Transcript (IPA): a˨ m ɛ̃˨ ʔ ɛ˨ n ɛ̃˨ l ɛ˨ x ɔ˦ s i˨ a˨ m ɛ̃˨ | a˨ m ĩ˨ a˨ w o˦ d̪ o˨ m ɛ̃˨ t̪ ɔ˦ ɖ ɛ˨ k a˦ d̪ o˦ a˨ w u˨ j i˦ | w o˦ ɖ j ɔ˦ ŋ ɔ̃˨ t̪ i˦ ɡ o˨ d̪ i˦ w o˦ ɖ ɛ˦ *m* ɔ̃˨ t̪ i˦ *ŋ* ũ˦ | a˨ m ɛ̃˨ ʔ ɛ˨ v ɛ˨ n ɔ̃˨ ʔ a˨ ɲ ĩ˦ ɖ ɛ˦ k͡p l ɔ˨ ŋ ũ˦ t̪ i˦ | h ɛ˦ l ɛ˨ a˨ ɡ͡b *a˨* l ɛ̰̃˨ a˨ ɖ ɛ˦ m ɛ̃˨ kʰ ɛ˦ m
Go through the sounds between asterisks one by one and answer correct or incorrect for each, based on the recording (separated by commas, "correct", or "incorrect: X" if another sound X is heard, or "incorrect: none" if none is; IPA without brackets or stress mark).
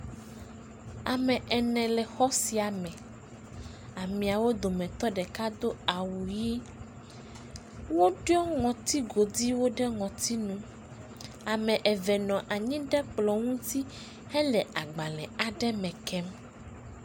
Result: incorrect: ŋ, incorrect: n, correct